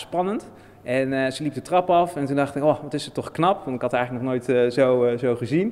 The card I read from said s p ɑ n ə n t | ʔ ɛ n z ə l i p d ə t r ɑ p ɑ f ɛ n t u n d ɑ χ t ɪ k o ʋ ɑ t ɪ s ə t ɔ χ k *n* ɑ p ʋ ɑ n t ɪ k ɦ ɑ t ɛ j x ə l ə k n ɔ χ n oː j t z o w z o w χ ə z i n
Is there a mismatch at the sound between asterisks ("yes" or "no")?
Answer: no